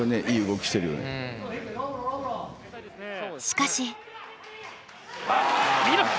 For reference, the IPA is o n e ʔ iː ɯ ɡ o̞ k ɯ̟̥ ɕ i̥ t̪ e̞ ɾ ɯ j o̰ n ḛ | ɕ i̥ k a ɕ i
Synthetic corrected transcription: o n e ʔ iː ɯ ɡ o̞ k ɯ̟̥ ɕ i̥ t̪ e̞ ɾ ɯ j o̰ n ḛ | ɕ i̥ k a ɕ i

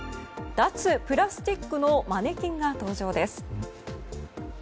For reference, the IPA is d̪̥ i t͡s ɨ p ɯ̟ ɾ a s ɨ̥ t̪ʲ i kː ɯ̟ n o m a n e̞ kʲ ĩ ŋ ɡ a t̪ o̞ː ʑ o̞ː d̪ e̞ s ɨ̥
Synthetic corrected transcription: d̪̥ a t͡s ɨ p ɯ̟ ɾ a s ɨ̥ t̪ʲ i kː ɯ̟ n o m a n e̞ kʲ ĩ ŋ ɡ a t̪ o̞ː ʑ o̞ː d̪ e̞ s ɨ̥

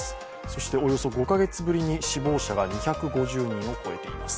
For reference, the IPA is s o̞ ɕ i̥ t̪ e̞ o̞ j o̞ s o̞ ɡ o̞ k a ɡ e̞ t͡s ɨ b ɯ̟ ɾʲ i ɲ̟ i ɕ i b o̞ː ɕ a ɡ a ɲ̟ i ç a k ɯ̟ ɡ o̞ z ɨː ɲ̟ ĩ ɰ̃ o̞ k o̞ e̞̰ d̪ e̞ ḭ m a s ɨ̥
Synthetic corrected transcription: s o̞ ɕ i̥ t̪ e̞ o̞ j o̞ s o̞ ɡ o̞ k a ɡ e̞ t͡s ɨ b ɯ̟ ɾʲ i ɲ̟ i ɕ i b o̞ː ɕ a ɡ a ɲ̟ i ç a k ɯ̟ ɡ o̞ ʑ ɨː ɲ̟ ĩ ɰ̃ o̞ k o̞ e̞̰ t̪ e̞ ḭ m a s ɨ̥

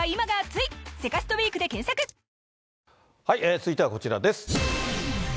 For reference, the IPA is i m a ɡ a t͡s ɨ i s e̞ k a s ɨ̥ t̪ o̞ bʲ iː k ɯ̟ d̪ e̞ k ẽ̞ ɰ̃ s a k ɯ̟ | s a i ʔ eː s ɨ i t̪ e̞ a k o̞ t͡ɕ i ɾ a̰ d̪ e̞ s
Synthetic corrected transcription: i m a ɡ a t͡s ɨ i s e̞ k a s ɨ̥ t̪ o̞ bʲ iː k ɯ̟ d̪ e̞ k ẽ̞ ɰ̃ s a k ɯ̟ | h a i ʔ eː t͡s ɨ i t̪ e̞ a k o̞ t͡ɕ i ɾ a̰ d̪ e̞ s

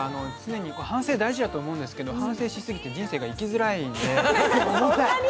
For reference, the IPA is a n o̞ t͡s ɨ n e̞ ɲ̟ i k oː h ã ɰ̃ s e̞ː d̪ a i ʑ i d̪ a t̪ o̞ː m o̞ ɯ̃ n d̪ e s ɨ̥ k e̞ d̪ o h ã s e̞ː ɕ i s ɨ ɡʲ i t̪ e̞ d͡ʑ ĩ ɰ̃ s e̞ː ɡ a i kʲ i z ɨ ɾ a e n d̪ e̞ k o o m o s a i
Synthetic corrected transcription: a n o̞ t͡s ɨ n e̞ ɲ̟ i k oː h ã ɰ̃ s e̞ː d̪ a i ʑ i d̪ a t̪ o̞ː m o̞ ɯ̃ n d̪ e s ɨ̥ k e̞ d̪ o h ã s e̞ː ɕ i s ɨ ɡʲ i t̪ e̞ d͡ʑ ĩ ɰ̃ s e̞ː ɡ a i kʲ i z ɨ ɾ a i n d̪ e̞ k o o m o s a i

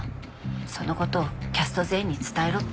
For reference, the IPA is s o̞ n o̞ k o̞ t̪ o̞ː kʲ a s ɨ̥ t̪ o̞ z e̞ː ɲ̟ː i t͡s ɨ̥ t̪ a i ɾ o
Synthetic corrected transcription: s o̞ n o̞ k o̞ t̪ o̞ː kʲ a s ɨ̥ t̪ o̞ z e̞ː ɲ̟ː i t͡s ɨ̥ t̪ a e ɾ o

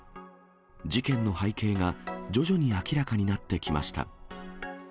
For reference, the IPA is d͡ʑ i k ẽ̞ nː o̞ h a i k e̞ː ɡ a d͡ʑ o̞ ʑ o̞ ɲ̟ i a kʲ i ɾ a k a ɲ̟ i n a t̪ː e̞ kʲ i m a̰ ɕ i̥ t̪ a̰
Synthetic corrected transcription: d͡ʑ i k ẽ̞ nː o̞ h a i k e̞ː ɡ a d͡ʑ o̞ ʑ o̞ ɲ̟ i a kʲ i ɾ a k a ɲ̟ i n a t̪ː e̞ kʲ i m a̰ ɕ i̥ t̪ a̰

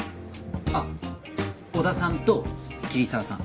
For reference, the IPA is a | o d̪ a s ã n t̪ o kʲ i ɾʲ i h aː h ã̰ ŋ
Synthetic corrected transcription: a | o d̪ a s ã n t̪ o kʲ i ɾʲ i s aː s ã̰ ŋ

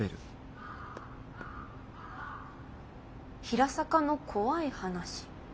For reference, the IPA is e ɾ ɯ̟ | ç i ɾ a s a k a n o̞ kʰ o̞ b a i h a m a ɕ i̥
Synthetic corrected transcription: e ɾ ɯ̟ | ç i ɾ a s a k a n o̞ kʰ o̞ β a i h a n a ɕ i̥

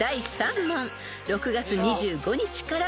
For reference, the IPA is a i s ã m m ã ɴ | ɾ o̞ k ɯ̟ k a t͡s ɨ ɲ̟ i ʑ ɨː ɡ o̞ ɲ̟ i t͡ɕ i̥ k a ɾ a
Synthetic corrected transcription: a i s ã m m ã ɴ | ɾ o̞ k ɯ̟ ɡ a t͡s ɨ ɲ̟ i ʑ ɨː ɡ o̞ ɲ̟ i t͡ɕ i̥ k a ɾ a

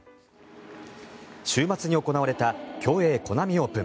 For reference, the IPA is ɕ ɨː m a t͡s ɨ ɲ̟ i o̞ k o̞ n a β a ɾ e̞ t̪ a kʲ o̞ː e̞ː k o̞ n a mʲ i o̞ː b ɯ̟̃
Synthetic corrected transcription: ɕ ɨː m a t͡s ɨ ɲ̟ i o̞ k o̞ n a β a ɾ e̞ t̪ a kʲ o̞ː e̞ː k o̞ n a mʲ i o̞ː p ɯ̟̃

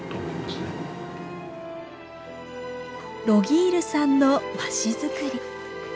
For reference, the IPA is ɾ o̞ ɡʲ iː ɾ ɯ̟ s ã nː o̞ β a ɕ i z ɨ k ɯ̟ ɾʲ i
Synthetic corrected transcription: ɾ o̞ ɡʲ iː ɾ ɯ̟ s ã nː o̞ b a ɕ i z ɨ k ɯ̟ ɾʲ i

